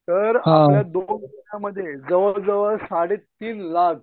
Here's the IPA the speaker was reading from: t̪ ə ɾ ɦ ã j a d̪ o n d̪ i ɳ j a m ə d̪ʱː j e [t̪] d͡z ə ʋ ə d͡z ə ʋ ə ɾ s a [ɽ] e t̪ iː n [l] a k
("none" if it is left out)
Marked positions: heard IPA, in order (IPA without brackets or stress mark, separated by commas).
none, ɽ, l